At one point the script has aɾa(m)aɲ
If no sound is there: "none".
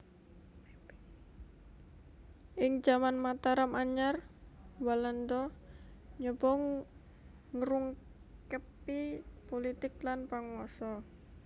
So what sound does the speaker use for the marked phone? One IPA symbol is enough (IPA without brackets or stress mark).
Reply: m